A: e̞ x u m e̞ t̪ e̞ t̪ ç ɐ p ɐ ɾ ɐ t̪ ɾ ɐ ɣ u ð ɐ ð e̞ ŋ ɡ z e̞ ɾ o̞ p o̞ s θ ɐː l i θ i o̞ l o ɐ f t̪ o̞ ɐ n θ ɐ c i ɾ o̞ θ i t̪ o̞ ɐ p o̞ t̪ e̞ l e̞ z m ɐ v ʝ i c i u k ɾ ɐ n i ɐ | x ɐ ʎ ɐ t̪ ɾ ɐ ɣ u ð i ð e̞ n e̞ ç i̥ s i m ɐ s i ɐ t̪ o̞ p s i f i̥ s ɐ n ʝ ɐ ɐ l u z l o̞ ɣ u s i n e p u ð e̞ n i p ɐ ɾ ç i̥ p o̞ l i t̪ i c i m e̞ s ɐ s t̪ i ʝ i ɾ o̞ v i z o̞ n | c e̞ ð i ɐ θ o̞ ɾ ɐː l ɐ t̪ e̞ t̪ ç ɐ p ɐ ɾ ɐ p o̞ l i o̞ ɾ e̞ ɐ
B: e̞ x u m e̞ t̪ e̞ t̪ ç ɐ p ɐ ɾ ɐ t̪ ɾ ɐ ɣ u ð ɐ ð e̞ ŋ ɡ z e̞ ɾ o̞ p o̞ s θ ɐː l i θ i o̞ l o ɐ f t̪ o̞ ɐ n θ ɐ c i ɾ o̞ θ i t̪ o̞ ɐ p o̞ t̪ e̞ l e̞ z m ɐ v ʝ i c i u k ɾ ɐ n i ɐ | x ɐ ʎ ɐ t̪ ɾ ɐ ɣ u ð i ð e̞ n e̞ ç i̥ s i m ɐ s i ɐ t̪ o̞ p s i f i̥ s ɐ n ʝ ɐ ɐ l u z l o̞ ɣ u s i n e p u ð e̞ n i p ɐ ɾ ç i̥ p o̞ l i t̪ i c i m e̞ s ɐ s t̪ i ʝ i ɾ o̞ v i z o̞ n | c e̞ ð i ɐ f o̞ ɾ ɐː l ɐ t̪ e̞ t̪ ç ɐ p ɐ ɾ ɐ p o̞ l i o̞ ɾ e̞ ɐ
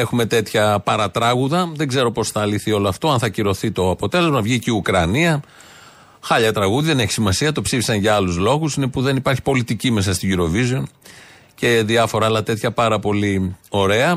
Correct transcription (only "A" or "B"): B